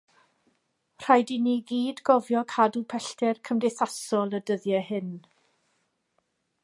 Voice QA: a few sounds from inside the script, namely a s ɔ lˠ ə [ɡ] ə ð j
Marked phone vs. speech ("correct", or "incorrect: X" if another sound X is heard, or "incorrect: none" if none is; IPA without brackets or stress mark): incorrect: d